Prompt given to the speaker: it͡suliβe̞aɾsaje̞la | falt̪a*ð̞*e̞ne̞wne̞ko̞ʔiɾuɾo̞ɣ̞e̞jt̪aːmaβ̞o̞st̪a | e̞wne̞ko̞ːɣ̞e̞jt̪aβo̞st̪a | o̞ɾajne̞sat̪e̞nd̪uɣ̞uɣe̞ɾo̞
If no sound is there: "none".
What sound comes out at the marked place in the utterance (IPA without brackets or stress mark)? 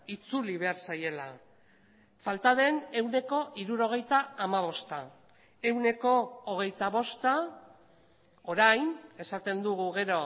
ð̞